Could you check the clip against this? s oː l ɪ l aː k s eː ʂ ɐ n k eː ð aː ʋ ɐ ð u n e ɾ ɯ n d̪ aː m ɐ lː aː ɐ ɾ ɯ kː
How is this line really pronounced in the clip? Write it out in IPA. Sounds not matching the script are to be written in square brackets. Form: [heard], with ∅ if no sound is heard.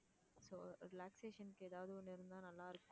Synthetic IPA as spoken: s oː [ɾ] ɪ l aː k s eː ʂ ɐ n k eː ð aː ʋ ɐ ð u n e ɾ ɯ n d̪ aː [n] ɐ lː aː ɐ ɾ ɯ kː